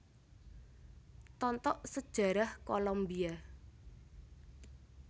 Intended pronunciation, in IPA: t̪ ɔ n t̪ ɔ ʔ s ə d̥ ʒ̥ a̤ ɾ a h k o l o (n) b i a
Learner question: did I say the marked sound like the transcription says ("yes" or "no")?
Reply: no